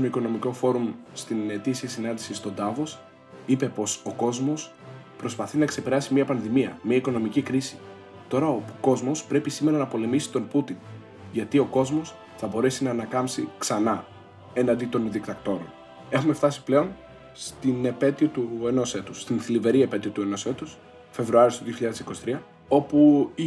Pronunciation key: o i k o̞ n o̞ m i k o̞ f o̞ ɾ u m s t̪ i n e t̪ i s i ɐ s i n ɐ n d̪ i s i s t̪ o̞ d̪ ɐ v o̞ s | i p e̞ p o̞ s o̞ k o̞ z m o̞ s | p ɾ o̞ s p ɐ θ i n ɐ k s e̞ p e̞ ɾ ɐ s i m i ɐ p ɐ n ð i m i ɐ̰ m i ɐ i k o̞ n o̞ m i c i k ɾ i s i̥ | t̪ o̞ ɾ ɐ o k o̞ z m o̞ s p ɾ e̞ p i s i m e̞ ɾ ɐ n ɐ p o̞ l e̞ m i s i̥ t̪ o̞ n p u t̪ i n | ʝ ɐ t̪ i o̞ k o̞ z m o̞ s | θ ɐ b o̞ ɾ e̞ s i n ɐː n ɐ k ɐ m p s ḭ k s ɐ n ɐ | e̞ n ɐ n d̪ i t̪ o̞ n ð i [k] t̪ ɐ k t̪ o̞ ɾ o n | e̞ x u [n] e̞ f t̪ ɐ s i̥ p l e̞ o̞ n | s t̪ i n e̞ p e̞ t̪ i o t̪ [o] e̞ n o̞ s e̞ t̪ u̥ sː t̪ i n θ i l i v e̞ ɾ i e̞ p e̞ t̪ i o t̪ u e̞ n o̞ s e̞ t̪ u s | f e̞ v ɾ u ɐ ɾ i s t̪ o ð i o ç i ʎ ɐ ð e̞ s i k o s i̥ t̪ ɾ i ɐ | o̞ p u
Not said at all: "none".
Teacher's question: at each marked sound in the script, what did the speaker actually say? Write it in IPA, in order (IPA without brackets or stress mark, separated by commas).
k, m, u